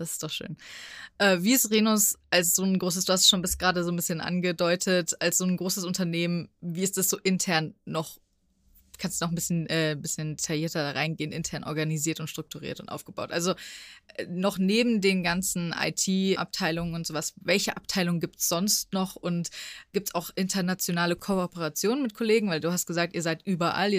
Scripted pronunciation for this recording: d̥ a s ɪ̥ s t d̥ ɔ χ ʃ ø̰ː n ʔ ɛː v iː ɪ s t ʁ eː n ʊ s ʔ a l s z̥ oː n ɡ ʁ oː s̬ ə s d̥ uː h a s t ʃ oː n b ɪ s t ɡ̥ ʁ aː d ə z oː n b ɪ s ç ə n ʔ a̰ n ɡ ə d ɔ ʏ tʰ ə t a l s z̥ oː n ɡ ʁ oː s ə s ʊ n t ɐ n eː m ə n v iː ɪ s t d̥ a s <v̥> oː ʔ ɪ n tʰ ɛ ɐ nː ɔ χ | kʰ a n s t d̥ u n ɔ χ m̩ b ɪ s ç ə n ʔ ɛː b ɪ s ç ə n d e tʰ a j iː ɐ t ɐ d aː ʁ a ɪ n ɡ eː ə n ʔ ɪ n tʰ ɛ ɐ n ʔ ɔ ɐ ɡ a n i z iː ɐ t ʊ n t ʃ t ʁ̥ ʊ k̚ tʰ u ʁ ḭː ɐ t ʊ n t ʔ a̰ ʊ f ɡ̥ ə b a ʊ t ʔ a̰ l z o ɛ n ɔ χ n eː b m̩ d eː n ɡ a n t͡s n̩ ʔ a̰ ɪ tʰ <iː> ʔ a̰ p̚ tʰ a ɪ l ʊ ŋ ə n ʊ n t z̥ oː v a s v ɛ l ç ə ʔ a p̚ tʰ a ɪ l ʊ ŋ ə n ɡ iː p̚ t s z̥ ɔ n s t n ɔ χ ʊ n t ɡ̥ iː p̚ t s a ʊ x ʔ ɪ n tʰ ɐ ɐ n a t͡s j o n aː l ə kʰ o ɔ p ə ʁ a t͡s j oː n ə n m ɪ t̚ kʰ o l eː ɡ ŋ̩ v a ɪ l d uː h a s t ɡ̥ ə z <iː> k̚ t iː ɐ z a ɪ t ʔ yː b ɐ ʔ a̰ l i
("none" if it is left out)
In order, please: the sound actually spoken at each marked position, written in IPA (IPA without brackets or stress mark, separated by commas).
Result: z̥, iː, aː